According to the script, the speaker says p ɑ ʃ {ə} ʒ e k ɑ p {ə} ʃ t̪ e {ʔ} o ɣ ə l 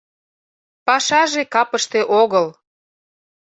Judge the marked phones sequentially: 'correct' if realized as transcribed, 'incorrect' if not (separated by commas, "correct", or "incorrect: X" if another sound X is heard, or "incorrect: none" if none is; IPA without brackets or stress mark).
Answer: incorrect: ɑ, correct, correct